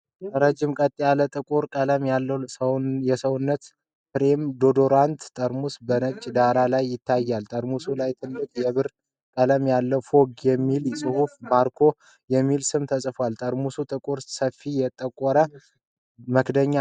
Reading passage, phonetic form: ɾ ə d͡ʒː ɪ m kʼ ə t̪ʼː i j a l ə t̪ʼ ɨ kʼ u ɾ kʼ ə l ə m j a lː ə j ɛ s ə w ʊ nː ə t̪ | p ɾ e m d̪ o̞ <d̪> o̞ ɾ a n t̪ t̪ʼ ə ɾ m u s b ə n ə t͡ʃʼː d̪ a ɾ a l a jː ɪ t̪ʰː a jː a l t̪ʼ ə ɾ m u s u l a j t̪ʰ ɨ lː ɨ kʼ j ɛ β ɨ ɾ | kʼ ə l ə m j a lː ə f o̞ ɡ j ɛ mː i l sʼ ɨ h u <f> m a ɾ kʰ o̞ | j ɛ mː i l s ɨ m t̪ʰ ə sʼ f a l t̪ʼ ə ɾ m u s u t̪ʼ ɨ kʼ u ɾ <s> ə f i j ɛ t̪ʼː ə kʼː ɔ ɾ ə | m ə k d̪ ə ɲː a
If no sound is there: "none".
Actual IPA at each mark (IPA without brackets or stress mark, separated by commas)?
d̪, f, s